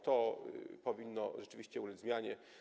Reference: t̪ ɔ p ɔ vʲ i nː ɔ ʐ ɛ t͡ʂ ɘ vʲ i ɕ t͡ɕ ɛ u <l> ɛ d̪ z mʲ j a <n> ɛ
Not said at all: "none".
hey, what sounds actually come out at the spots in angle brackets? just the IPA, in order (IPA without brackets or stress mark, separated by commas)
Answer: l, ɲ